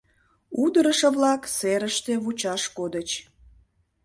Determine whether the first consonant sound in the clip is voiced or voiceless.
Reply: voiced